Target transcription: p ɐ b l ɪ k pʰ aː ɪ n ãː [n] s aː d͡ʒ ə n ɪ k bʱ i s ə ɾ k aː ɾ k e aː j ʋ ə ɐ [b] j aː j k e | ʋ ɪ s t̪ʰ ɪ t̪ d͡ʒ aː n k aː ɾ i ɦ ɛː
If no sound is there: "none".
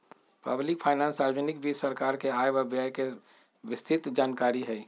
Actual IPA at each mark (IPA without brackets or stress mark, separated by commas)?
n, b